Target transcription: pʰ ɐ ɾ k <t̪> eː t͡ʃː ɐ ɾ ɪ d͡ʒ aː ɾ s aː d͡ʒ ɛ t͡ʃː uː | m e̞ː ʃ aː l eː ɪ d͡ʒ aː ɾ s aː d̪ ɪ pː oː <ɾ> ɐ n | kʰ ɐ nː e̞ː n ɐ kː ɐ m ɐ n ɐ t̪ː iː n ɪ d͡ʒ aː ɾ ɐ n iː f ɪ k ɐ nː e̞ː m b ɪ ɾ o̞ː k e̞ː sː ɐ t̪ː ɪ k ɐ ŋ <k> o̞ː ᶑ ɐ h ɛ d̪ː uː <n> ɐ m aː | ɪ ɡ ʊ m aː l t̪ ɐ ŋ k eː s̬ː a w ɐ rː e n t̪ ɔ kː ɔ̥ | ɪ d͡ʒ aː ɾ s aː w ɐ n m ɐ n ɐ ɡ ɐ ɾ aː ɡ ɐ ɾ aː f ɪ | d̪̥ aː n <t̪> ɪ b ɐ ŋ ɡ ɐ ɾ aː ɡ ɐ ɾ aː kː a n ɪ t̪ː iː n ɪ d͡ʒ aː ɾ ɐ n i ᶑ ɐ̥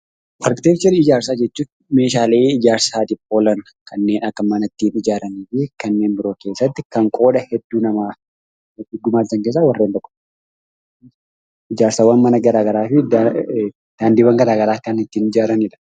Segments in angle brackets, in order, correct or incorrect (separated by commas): correct, incorrect, incorrect, correct, incorrect